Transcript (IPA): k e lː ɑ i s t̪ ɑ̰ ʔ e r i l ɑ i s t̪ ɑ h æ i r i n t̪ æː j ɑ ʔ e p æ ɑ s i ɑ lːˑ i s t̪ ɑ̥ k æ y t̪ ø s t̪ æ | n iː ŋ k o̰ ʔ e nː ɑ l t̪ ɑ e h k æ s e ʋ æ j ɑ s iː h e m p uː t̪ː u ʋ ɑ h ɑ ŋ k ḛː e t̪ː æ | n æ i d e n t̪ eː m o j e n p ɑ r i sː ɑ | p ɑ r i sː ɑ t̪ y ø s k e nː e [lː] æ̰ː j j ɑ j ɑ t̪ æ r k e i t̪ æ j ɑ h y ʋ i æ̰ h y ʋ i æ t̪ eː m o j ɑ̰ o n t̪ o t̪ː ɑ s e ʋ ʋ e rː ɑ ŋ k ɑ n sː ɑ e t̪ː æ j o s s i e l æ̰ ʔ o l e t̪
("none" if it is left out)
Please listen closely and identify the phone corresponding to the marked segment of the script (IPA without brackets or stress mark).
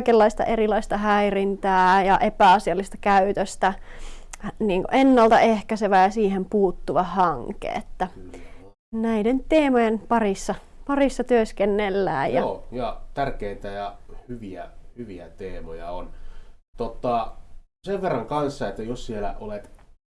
lː